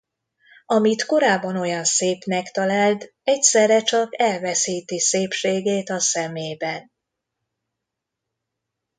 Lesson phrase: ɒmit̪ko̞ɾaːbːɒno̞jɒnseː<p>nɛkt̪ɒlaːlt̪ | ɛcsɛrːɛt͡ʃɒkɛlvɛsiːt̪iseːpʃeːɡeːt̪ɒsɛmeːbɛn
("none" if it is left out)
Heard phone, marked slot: p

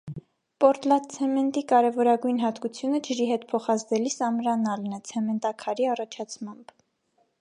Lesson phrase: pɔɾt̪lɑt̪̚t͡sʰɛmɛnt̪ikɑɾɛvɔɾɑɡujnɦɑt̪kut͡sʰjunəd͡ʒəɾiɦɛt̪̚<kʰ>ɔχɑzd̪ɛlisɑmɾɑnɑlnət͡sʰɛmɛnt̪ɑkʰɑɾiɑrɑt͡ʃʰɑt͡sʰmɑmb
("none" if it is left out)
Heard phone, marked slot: pʰ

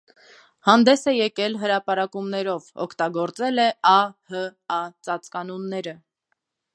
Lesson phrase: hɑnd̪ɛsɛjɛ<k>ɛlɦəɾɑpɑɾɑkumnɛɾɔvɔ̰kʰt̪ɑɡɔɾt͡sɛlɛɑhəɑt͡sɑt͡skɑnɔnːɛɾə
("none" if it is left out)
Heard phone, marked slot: k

